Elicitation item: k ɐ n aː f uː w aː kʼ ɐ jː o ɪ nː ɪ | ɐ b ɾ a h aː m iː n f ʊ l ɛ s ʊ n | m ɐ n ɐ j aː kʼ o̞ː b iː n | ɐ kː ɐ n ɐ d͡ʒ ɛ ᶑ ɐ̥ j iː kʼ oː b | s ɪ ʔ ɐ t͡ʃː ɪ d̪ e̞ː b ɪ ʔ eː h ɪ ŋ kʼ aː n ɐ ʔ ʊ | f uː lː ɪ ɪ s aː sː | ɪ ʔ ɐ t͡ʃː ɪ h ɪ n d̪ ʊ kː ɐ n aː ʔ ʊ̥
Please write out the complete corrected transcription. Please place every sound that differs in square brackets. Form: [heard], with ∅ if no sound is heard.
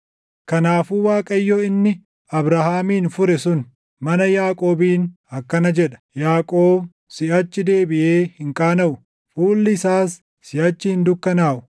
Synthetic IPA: k ɐ n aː f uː w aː kʼ ɐ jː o ɪ nː ɪ | ɐ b ɾ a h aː m iː n f ʊ [ɾ] ɛ s ʊ n | m ɐ n ɐ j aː kʼ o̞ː b iː n | ɐ kː ɐ n ɐ d͡ʒ ɛ ᶑ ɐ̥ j [aː] kʼ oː b | s ɪ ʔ ɐ t͡ʃː ɪ d̪ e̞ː b ɪ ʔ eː h ɪ ŋ kʼ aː n ɐ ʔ ʊ | f uː lː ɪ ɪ s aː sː | ɪ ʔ ɐ t͡ʃː ɪ h ɪ n d̪ ʊ kː ɐ n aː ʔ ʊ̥